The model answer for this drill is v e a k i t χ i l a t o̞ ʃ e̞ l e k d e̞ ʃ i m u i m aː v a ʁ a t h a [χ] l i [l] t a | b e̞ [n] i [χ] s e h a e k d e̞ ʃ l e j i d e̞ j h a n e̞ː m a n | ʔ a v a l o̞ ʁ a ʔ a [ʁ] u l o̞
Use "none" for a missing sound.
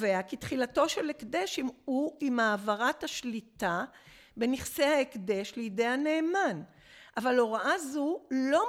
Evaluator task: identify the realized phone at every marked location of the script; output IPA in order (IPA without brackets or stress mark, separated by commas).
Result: ʃ, none, n, χ, z